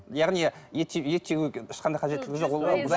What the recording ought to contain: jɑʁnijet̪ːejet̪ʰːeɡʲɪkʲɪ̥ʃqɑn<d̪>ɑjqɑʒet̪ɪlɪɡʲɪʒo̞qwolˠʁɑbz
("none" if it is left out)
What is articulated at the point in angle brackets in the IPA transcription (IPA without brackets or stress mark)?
d̪